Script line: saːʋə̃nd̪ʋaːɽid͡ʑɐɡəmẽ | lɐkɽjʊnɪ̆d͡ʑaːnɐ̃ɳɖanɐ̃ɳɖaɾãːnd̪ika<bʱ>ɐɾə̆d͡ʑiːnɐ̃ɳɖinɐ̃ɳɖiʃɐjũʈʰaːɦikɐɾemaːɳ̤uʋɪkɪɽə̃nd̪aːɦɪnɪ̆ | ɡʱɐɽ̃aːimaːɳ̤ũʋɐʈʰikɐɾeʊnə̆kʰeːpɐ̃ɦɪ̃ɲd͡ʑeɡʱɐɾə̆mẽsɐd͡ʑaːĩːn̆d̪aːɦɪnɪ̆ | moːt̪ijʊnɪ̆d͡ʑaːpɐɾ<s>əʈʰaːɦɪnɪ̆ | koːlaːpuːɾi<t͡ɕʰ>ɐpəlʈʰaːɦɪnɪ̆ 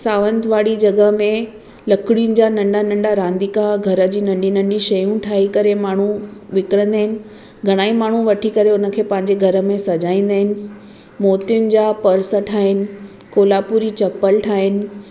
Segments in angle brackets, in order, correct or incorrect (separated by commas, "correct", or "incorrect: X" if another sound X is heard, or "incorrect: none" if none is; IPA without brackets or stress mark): incorrect: ɡʱ, correct, incorrect: t͡ɕ